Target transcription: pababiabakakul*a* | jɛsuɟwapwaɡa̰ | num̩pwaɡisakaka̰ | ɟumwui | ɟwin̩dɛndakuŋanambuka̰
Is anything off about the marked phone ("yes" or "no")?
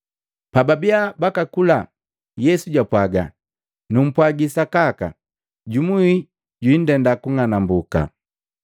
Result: no